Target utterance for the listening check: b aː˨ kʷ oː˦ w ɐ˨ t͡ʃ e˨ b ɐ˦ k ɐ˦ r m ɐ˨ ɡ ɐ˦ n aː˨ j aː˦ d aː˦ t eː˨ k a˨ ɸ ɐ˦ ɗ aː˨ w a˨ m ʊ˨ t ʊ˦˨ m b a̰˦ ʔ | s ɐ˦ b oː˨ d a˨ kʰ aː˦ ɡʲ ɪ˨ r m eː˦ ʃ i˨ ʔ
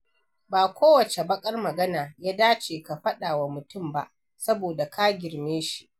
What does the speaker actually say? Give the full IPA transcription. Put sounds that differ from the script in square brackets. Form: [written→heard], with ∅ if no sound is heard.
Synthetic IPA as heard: b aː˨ kʷ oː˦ w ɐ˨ t͡ʃ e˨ b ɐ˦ [k→kʼ] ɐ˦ r m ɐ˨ ɡ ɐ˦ n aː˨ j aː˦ d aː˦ [t→t͡ʃ] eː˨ k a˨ ɸ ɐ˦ ɗ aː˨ w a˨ m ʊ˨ t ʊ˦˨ m b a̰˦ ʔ | s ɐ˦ b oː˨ d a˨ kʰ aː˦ ɡʲ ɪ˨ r m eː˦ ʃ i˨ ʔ